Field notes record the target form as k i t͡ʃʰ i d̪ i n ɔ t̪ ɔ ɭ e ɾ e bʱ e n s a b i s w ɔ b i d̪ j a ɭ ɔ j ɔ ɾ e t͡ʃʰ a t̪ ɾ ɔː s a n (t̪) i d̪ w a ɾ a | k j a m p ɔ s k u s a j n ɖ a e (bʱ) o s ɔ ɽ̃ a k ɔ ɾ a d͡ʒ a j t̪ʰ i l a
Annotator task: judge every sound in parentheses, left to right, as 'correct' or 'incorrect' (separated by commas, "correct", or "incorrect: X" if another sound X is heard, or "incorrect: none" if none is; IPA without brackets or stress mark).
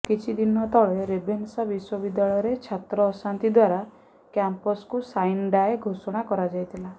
correct, incorrect: ɡʱ